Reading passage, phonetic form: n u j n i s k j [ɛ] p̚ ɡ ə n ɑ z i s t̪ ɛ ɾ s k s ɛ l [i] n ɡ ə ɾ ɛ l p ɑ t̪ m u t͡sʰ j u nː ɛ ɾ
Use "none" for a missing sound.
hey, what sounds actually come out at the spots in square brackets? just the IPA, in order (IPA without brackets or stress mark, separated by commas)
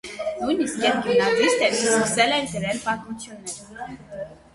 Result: ɛ, ɛ